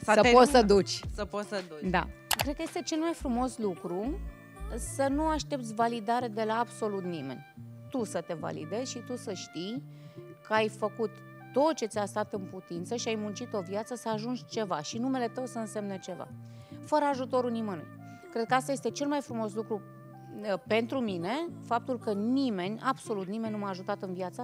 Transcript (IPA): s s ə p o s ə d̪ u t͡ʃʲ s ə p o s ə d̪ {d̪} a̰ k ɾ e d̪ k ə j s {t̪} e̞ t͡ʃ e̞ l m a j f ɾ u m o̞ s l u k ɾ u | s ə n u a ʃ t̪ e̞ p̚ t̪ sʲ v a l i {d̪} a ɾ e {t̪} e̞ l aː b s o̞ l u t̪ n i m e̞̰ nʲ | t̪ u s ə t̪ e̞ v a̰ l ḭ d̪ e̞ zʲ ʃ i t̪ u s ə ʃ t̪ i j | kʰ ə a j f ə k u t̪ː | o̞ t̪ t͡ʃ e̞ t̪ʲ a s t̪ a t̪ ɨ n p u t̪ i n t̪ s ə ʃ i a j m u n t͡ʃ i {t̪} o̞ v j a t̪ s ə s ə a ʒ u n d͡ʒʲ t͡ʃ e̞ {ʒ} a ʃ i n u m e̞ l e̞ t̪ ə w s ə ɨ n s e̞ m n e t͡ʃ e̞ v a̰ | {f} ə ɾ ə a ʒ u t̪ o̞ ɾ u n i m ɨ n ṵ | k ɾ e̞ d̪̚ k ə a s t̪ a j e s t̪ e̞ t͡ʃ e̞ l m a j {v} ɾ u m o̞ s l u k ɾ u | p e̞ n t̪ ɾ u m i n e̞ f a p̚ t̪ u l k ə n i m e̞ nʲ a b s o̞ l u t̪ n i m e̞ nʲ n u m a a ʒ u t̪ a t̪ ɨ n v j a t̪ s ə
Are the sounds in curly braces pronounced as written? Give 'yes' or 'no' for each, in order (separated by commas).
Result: yes, yes, yes, no, yes, no, yes, no